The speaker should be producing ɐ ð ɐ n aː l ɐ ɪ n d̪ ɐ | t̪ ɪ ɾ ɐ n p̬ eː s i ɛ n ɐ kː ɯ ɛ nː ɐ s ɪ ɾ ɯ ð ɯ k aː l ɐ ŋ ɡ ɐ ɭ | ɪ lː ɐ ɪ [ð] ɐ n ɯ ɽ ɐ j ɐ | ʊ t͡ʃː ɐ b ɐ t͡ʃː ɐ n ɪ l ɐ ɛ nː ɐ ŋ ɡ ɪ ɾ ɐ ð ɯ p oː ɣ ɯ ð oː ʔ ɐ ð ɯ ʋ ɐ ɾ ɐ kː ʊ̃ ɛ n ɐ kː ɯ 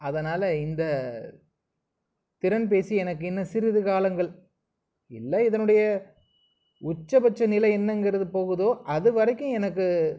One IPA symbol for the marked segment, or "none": ð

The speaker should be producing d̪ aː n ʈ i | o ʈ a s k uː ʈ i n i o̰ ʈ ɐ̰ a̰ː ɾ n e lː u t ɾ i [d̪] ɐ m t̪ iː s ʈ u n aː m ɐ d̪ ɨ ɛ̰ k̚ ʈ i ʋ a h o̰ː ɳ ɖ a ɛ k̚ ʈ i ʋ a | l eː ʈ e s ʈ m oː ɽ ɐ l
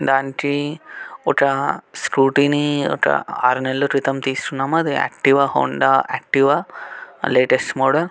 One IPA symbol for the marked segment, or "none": t̪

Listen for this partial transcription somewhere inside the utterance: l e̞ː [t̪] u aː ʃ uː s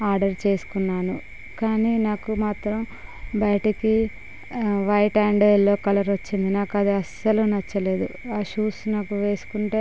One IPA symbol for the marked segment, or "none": d̪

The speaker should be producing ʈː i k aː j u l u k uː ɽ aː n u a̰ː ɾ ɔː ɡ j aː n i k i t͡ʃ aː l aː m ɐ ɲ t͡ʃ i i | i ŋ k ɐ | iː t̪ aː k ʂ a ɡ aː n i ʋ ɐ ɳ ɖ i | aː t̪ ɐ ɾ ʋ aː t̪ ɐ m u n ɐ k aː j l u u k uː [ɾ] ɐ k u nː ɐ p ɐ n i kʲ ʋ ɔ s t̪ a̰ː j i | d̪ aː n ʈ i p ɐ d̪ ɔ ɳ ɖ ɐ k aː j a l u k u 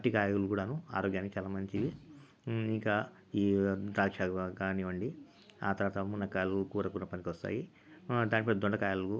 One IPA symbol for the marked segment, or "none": ɾ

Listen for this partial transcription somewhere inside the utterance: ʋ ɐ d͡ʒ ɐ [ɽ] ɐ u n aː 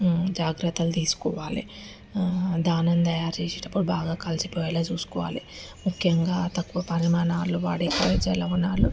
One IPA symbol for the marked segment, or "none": l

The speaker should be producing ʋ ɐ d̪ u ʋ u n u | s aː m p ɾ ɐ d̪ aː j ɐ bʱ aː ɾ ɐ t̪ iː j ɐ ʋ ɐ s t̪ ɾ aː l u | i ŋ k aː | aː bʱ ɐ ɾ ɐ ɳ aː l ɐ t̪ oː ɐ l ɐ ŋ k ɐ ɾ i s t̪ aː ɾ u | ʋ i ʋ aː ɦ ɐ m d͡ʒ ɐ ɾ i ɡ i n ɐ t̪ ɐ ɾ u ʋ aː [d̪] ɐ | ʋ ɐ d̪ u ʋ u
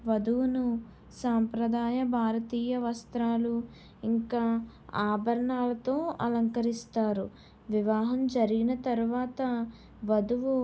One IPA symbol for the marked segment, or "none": t̪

